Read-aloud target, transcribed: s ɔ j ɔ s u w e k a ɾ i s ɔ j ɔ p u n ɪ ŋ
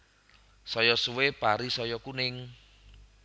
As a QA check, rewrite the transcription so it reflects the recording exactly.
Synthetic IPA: s ɔ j ɔ s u w e p a ɾ i s ɔ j ɔ k u n ɪ ŋ